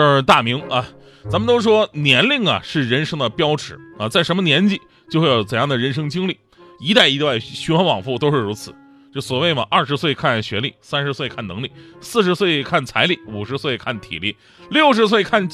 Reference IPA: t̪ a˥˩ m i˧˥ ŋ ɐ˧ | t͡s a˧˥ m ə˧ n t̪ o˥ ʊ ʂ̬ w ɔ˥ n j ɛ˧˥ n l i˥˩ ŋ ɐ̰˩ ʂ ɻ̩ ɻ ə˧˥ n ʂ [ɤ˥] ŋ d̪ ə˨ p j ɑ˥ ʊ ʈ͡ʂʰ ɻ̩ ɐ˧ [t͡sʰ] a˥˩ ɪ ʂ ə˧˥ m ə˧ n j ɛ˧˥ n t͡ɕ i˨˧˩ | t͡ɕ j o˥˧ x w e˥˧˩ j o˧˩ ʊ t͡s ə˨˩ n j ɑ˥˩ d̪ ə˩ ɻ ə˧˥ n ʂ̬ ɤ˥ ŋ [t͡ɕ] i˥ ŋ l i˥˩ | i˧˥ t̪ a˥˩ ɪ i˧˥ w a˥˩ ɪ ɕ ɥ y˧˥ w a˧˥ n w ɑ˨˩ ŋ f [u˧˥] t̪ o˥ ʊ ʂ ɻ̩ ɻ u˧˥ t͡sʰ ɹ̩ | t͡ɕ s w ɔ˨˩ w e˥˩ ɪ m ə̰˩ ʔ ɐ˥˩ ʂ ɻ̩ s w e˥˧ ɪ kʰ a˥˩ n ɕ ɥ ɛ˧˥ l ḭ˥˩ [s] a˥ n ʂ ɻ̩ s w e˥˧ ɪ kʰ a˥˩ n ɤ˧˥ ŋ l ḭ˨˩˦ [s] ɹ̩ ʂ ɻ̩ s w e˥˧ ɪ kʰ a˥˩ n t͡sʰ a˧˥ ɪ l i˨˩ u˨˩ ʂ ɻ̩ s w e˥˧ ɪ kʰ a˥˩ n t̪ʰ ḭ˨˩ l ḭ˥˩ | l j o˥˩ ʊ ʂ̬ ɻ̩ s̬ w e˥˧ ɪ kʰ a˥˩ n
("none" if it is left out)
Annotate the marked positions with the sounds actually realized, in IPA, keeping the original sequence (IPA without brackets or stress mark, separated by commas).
ɤ˥, t͡s, t͡ɕ, u˥˩, s, s